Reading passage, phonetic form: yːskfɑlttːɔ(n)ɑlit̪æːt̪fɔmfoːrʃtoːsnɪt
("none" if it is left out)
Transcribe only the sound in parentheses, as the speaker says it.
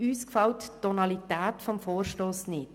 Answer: n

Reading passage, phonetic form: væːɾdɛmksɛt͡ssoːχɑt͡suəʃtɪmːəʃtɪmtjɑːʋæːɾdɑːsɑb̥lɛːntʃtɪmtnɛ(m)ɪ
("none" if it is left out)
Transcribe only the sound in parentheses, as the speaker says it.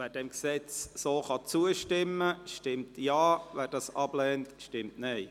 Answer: none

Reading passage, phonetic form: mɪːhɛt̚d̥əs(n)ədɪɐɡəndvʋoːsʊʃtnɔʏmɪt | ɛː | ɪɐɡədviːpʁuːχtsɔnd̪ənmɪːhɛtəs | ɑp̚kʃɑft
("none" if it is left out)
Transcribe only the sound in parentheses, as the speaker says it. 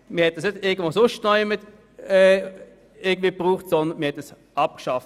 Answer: n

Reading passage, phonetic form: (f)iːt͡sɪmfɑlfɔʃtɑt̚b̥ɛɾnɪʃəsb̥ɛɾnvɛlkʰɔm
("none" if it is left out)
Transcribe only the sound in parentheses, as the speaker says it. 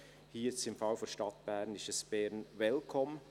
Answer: h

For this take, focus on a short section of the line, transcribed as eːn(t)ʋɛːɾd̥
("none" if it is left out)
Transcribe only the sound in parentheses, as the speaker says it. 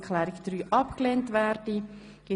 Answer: t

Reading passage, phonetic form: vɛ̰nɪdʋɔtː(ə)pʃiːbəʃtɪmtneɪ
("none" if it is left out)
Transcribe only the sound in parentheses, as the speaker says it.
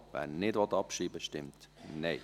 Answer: ɑ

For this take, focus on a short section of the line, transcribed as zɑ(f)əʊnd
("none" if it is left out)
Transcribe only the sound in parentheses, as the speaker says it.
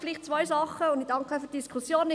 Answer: χ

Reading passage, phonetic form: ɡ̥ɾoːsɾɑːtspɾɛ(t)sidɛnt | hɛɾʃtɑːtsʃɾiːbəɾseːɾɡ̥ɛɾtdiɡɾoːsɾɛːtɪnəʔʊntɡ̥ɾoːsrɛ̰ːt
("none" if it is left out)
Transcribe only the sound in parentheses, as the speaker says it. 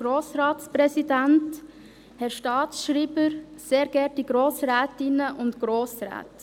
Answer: none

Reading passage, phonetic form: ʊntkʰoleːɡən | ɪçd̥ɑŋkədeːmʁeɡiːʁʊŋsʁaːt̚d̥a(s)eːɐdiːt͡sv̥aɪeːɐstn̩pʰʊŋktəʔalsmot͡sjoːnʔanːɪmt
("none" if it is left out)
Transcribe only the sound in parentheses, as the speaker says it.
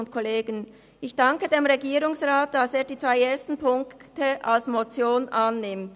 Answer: s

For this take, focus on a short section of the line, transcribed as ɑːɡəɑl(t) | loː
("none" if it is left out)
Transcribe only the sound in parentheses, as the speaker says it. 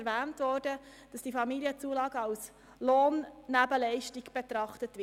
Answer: s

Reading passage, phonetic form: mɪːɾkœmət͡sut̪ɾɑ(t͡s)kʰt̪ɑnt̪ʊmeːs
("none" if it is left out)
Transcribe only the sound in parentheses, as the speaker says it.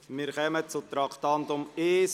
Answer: none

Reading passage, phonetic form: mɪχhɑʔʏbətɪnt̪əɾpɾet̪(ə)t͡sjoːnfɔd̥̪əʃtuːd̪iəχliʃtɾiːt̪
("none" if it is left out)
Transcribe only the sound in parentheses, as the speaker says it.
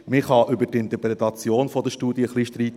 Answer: ɑ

